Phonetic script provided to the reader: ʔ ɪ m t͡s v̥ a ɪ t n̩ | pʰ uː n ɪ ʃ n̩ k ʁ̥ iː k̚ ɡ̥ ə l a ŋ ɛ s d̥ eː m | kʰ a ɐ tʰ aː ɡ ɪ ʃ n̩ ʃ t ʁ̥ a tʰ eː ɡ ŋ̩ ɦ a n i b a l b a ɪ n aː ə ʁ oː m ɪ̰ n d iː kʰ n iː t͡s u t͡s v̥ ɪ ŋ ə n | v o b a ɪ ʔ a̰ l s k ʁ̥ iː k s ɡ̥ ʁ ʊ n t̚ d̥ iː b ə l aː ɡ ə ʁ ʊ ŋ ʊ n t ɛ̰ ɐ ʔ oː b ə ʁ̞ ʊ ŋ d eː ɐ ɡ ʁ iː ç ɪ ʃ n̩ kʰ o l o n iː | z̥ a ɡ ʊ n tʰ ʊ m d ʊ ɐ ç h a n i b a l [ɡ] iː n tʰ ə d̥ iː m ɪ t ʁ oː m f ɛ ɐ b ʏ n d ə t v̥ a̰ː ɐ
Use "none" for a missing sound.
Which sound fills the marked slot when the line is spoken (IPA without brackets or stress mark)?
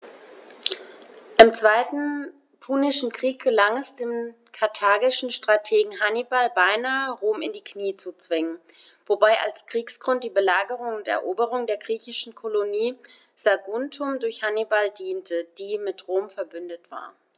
d